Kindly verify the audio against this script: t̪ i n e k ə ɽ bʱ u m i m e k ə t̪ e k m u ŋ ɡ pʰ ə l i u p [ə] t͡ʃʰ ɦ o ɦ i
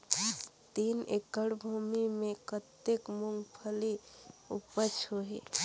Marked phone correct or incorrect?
correct